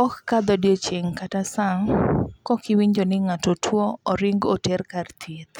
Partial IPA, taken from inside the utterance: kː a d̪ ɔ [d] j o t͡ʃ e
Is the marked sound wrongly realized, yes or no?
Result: no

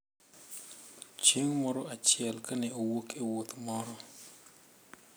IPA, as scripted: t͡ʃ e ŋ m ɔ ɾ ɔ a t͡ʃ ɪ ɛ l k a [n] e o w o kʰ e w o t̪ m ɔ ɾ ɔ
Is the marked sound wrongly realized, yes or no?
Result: no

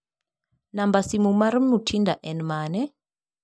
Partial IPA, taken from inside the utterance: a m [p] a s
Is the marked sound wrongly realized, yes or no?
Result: yes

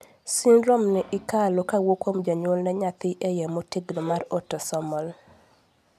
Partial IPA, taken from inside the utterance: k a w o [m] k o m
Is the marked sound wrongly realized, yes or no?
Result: yes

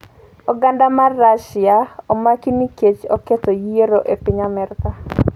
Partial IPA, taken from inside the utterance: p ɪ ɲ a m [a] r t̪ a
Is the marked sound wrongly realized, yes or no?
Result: yes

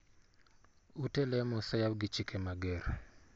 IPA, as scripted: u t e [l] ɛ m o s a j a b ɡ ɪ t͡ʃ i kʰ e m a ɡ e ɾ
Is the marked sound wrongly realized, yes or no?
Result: no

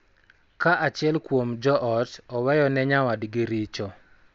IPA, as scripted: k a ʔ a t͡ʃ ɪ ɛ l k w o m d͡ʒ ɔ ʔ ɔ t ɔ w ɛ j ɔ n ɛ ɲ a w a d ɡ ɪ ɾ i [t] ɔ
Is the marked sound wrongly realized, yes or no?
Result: yes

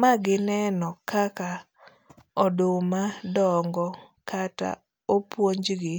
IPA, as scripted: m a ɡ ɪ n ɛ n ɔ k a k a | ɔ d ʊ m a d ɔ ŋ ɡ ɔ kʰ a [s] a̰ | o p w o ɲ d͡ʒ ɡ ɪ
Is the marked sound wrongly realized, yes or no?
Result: yes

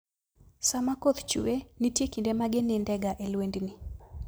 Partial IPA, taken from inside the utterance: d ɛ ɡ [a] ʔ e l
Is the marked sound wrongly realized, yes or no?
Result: no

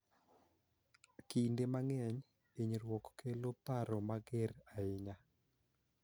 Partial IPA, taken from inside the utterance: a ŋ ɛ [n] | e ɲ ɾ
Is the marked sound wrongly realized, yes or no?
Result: yes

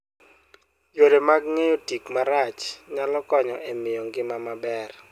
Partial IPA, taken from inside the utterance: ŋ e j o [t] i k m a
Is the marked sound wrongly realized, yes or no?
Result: no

